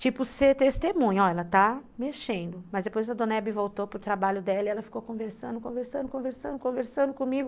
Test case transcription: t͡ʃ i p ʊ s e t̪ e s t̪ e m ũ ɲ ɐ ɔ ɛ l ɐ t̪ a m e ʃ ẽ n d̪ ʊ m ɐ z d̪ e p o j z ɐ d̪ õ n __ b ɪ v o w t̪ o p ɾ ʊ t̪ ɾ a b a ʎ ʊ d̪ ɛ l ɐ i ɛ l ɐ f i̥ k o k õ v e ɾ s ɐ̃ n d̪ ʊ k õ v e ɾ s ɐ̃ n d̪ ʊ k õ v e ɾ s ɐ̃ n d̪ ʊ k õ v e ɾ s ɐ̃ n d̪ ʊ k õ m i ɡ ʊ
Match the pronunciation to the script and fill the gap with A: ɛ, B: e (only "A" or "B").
A